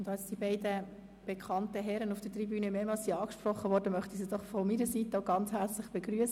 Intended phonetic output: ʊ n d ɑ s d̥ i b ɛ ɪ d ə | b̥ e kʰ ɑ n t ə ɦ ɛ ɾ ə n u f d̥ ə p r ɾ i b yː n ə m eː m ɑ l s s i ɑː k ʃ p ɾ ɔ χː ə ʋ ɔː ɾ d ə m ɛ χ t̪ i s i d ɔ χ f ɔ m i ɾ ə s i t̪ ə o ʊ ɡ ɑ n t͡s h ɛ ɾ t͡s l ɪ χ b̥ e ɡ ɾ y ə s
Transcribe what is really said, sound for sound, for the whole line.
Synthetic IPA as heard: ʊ n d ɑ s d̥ i b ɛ ɪ d ə | b̥ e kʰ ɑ n t ə ɦ ɛ ɾ ə n u f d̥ ə t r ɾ i b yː n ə m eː m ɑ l s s i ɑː k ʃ p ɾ ɔ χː ə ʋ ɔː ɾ d ə m œ χ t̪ i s i d ɔ χ f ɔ m i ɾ ə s i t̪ ə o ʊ ɡ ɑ n t͡s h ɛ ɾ t͡s l ɪ χ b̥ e ɡ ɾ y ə s